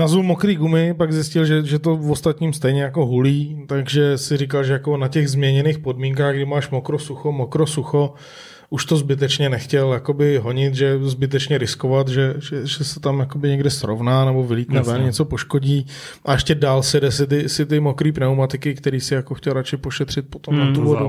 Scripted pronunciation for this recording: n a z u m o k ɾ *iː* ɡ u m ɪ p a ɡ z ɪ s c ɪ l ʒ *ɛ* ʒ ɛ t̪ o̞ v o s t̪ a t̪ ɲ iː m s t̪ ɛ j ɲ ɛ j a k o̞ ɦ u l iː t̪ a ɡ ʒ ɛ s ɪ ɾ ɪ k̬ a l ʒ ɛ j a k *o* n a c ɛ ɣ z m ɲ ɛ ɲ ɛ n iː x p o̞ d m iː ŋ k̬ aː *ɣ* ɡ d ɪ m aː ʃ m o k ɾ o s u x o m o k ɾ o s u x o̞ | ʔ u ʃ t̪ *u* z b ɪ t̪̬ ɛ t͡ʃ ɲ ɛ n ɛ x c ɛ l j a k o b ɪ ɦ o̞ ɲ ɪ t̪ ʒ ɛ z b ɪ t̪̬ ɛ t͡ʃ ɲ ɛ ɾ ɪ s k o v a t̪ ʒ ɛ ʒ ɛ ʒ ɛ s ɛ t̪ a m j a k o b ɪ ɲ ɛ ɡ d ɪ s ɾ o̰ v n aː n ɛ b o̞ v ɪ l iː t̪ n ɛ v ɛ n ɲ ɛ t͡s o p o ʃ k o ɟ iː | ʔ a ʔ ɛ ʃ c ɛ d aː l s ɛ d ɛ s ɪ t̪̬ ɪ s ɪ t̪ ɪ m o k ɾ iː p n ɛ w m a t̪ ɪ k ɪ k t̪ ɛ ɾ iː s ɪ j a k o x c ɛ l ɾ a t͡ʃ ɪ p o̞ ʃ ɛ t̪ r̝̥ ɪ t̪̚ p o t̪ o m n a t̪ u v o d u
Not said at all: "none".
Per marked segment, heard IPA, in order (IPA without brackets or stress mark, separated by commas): iː, ɛ, o, ɣ, o